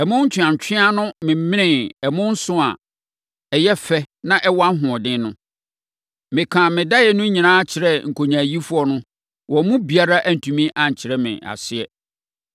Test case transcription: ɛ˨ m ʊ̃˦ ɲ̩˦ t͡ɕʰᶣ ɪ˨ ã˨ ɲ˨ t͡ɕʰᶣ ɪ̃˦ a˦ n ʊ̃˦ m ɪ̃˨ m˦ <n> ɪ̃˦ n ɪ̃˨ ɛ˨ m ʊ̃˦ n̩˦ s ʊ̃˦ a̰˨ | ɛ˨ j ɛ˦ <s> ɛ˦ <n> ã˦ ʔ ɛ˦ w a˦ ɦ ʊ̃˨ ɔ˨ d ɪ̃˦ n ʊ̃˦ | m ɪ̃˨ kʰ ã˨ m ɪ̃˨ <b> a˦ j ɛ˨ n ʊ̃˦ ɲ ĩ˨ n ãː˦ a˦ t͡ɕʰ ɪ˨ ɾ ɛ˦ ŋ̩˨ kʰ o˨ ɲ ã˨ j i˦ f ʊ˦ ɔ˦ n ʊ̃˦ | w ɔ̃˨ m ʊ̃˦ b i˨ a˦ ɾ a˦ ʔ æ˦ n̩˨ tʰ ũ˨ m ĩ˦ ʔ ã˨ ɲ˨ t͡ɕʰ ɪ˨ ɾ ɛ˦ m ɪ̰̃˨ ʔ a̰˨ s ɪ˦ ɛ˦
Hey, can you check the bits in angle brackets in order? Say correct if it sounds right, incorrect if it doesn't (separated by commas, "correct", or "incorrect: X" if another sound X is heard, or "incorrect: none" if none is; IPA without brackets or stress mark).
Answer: incorrect: m, incorrect: f, correct, incorrect: d